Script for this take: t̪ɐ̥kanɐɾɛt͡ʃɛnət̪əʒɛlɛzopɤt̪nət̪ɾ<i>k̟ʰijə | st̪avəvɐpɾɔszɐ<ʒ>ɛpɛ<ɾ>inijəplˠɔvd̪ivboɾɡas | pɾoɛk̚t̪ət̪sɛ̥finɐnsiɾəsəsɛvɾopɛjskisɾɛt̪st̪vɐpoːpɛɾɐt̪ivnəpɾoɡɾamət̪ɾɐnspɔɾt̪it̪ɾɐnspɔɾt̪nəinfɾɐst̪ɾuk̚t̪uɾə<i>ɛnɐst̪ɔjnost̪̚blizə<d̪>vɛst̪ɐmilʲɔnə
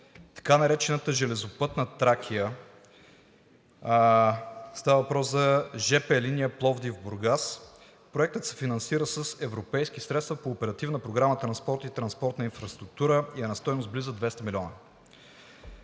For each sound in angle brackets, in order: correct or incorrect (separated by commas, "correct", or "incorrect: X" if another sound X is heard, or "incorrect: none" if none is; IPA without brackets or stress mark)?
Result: incorrect: a, correct, incorrect: l, correct, correct